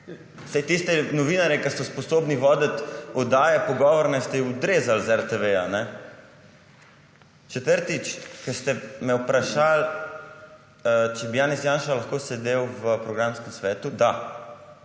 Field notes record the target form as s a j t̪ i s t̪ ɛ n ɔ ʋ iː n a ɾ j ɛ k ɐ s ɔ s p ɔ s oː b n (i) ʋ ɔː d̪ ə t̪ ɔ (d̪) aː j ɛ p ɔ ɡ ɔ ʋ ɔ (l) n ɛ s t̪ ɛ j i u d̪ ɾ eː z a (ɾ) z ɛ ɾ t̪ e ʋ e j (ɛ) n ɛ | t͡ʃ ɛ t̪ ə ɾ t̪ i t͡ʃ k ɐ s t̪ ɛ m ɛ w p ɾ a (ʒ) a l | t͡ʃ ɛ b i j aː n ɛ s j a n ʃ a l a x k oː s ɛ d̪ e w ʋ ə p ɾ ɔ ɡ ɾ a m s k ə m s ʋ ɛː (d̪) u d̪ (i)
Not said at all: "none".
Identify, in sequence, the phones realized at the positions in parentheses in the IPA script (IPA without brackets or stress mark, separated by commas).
i, d̪, ɾ, l, a, ʃ, t̪, a